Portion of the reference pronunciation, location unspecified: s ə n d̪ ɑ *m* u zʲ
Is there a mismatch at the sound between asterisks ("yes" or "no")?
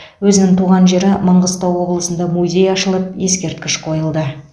no